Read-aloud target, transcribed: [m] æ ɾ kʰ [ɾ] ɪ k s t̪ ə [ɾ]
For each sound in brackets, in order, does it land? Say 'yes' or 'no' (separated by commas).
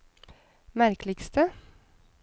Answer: yes, no, no